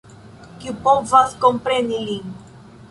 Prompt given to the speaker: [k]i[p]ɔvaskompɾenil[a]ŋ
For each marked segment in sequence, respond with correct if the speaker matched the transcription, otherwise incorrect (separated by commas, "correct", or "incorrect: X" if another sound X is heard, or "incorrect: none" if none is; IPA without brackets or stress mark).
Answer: correct, correct, incorrect: i